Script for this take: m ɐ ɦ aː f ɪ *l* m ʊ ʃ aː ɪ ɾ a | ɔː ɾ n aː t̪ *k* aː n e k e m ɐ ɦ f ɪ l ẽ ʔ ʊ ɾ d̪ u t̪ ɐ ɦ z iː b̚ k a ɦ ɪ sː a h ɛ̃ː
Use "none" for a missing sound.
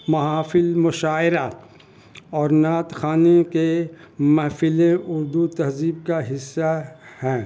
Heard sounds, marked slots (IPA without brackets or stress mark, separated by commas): l, x